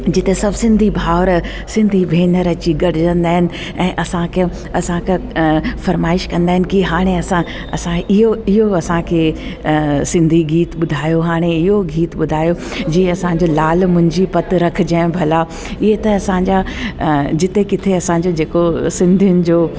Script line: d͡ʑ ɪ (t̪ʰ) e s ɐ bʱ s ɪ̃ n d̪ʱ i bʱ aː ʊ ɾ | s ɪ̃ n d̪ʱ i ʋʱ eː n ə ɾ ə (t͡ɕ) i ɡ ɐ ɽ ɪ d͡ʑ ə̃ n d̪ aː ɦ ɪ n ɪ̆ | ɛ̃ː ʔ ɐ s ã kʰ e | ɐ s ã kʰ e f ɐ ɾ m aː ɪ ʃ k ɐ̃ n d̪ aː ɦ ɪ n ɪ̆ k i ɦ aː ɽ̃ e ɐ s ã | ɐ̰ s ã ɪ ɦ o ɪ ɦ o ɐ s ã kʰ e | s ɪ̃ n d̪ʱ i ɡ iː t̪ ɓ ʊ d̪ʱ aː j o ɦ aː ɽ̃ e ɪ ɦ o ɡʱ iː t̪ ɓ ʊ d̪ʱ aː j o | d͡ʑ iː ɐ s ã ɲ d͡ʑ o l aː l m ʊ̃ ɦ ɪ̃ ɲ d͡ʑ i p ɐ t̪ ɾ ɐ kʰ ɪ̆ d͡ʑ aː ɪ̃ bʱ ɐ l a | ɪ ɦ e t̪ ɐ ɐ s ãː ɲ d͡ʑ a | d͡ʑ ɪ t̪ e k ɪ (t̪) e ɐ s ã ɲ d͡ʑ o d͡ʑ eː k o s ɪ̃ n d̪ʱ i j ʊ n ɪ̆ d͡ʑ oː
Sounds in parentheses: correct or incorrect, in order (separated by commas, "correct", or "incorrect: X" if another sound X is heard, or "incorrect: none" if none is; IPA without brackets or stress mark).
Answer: incorrect: t̪, correct, incorrect: t̪ʰ